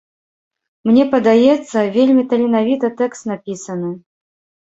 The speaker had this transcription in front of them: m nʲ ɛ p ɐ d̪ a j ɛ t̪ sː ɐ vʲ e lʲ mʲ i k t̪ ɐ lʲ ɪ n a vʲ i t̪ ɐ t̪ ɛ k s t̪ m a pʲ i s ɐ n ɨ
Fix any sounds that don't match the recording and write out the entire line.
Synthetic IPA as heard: m nʲ ɛ p ɐ d̪ a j ɛ t̪ sː ɐ vʲ e lʲ mʲ i t̪ ɐ lʲ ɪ n a vʲ i t̪ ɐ t̪ ɛ k s t̪ n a pʲ i s ɐ n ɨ